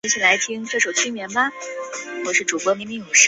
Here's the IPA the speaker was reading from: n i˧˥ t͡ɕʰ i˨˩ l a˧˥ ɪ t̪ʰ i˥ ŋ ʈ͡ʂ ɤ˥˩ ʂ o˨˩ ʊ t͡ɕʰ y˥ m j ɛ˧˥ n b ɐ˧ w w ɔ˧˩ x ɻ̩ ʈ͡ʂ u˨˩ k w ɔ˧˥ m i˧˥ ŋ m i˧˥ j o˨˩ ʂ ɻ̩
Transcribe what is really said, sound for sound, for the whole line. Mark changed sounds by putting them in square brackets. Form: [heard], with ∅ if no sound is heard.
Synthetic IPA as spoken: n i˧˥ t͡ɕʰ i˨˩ l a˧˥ ɪ t̪ʰ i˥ ŋ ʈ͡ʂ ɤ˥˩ ʂ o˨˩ ʊ t͡ɕʰ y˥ m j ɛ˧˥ n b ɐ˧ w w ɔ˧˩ [ʂ] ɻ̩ ʈ͡ʂ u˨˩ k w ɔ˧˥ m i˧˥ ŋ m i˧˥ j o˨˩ ʂ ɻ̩